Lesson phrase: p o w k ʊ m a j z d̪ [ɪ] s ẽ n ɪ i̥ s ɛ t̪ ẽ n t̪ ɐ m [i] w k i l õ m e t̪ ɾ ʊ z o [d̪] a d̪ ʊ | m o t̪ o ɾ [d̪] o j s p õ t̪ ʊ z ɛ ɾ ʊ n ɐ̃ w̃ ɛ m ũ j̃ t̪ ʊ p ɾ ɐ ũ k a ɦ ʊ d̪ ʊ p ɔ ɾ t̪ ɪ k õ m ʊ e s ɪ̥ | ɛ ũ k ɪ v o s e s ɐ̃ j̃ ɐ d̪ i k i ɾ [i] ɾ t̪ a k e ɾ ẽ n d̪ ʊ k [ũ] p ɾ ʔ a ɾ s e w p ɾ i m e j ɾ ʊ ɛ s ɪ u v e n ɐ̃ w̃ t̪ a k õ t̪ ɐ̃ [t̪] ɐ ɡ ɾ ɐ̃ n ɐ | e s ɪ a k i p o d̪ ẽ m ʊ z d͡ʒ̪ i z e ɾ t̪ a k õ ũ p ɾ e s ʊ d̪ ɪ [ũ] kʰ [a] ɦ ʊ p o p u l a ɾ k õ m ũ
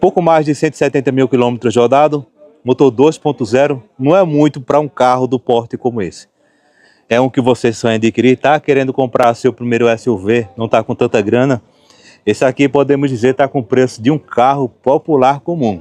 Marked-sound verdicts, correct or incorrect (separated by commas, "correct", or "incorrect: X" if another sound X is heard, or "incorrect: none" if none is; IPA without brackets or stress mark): correct, correct, correct, correct, correct, incorrect: õ, correct, correct, correct